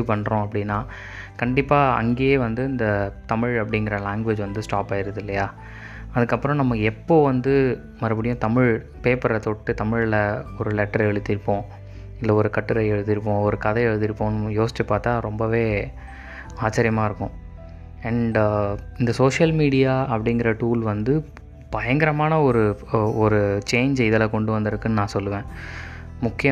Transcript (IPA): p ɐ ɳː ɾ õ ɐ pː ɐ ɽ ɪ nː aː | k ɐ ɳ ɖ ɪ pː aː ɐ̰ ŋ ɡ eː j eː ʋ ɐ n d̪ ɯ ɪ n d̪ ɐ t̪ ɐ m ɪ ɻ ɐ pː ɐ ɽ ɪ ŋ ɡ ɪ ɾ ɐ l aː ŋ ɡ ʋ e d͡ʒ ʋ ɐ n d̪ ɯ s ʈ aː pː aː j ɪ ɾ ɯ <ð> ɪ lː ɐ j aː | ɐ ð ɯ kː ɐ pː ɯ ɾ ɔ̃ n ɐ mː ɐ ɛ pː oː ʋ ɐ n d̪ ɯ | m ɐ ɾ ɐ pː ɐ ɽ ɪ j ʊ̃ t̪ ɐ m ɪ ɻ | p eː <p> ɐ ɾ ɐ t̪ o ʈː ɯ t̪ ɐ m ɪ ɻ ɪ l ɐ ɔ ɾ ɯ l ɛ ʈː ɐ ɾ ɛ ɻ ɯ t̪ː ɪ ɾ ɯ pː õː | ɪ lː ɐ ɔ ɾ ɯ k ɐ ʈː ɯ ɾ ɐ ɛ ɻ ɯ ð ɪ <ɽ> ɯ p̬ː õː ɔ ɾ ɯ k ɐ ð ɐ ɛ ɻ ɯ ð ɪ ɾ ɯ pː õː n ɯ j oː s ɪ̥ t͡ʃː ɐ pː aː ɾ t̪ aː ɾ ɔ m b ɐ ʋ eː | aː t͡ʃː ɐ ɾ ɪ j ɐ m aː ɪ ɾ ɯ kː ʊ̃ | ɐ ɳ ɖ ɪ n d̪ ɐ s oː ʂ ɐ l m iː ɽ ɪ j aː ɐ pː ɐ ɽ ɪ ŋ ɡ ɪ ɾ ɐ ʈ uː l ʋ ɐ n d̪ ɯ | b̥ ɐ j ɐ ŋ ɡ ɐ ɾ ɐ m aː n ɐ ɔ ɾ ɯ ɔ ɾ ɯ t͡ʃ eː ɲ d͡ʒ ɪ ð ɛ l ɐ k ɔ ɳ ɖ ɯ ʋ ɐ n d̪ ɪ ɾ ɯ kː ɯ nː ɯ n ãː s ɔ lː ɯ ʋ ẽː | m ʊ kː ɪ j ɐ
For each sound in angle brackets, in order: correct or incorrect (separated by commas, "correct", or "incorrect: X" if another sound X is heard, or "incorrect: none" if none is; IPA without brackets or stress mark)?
correct, correct, incorrect: ɾ